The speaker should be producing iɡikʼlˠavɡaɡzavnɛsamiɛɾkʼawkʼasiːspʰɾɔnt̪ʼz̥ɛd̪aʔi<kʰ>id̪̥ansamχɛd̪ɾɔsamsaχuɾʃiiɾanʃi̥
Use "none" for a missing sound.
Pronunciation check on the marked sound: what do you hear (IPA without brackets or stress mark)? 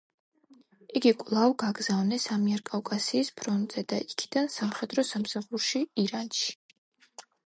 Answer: kʰ